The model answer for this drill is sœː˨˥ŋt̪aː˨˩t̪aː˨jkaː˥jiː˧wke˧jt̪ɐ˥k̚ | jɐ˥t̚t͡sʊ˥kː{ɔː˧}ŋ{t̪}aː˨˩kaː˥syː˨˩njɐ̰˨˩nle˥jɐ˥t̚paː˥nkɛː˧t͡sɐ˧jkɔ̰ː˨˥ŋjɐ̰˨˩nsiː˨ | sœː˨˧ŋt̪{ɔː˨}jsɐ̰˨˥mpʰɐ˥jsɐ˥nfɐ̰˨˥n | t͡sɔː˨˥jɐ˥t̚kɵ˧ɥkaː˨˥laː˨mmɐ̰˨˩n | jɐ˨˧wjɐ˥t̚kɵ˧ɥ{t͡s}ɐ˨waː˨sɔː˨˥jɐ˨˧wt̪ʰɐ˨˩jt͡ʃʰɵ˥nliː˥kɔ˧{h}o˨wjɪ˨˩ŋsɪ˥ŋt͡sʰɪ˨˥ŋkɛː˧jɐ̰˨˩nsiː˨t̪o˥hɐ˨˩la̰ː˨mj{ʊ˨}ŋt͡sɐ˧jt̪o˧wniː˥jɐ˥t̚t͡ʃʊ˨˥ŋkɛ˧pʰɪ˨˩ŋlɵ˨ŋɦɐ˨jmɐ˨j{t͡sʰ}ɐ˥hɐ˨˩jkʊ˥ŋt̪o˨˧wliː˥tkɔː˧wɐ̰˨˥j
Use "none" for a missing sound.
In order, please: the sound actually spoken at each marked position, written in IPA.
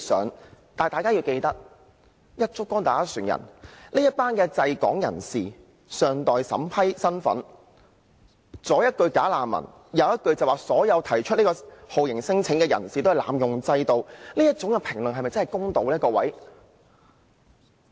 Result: ɔː˥, t̪, ɔː˨, t͡s, h, ʊ˨, t͡s

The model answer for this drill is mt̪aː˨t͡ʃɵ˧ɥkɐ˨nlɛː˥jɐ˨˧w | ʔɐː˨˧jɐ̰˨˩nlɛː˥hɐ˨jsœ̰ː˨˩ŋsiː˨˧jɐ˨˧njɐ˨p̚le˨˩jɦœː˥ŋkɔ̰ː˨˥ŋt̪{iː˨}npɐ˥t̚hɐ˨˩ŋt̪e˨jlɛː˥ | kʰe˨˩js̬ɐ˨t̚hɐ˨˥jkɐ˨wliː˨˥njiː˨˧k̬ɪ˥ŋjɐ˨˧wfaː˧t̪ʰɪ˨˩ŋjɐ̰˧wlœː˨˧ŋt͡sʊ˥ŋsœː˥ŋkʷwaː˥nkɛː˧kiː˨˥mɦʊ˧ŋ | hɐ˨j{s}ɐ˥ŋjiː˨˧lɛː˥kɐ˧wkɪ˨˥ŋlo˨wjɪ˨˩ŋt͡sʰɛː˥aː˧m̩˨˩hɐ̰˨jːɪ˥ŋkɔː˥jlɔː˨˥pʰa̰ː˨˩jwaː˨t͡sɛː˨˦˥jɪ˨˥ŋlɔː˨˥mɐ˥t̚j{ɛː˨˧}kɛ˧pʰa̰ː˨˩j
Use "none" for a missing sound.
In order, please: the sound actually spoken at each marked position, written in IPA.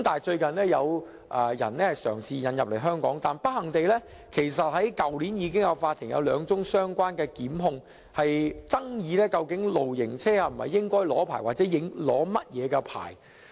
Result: aː˨, t͡s, ɛː˨˧

